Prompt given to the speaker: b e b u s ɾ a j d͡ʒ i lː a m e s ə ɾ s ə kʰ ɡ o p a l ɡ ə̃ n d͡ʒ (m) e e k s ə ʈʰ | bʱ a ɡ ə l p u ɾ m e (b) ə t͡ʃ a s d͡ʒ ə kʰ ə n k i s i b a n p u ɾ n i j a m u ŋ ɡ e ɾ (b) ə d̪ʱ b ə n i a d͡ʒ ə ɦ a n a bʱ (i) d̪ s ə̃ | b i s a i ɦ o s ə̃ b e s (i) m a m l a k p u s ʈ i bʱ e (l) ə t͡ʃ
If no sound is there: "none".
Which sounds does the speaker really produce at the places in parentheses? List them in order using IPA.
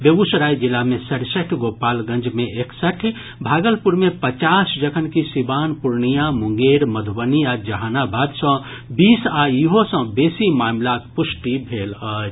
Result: m, p, m, a, i, l

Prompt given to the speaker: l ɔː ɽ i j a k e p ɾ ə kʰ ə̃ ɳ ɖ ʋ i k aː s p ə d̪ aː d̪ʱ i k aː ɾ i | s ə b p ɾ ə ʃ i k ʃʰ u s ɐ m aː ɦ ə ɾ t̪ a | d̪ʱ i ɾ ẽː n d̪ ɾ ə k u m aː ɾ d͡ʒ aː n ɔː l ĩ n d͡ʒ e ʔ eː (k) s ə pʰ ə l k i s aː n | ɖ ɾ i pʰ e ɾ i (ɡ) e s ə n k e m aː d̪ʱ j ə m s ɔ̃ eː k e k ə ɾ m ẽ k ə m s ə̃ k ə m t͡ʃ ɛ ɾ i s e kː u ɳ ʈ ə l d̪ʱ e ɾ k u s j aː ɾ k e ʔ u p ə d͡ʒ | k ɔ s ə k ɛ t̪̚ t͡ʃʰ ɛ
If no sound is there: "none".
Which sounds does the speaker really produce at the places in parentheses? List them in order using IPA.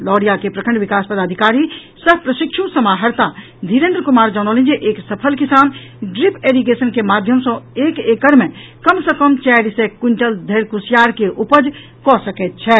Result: k, ɡ

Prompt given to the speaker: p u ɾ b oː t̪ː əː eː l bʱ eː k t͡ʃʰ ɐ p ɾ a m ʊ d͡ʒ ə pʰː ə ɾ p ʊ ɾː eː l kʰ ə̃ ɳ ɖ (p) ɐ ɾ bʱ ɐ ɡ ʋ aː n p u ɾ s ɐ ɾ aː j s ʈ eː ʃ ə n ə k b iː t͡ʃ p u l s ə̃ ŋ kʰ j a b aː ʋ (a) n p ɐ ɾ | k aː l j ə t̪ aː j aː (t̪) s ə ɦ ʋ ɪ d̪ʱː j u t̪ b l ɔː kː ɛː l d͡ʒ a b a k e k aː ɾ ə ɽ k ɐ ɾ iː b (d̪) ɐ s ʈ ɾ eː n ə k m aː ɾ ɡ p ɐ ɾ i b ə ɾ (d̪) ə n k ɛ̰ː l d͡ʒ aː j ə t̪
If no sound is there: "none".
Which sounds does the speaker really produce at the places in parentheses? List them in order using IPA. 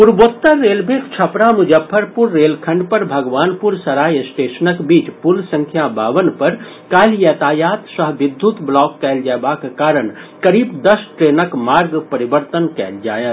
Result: p, ə, t̪, d̪, t̪

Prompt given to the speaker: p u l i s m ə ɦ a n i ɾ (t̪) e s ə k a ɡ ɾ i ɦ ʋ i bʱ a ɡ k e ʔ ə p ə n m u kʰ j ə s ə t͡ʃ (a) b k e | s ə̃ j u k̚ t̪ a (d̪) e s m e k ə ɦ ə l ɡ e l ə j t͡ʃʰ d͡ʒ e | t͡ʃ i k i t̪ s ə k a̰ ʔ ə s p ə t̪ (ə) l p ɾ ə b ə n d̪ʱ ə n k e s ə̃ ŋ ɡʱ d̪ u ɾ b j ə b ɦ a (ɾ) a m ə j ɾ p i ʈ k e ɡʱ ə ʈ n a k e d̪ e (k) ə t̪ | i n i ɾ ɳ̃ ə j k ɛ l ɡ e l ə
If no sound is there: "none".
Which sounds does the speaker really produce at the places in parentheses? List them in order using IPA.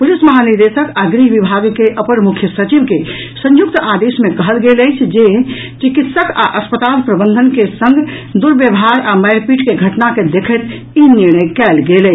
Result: d̪, i, d̪, a, ɾ, kʰ

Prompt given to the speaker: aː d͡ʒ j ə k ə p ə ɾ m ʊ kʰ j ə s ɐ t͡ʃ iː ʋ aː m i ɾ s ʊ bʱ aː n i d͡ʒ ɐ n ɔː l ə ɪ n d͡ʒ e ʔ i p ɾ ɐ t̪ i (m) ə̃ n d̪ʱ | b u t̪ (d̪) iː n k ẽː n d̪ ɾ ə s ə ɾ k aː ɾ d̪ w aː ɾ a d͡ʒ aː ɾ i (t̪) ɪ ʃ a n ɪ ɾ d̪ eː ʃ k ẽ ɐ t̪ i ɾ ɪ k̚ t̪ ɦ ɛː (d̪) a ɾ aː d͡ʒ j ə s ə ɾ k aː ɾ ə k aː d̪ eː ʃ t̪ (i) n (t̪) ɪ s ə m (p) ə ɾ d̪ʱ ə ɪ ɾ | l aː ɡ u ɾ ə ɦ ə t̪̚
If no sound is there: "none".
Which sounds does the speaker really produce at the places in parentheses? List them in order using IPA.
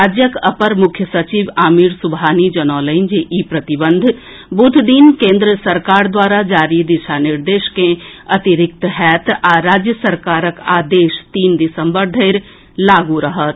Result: b, d̪, d̪, t̪, iː, d̪, b

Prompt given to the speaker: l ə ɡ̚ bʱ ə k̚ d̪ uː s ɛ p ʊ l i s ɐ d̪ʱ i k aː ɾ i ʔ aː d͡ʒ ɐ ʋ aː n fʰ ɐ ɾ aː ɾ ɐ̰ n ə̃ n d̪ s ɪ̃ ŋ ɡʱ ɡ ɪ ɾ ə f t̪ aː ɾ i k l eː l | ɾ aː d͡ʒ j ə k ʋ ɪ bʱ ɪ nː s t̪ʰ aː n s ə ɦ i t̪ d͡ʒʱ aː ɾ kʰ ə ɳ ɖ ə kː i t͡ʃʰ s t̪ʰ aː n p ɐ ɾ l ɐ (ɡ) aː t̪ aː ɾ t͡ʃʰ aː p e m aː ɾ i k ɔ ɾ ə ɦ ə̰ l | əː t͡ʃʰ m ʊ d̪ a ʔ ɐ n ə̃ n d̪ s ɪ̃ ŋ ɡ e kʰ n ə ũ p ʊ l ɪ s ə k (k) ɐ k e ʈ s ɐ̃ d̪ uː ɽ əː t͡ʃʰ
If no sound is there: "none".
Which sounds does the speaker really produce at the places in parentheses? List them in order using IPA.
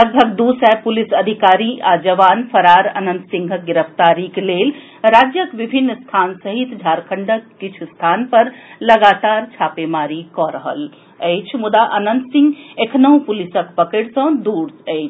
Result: ɡ, p

